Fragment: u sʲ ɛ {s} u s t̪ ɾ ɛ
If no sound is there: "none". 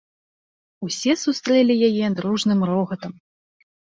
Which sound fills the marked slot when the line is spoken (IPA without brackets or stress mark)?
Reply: s